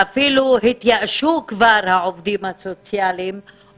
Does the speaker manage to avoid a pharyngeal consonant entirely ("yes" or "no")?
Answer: no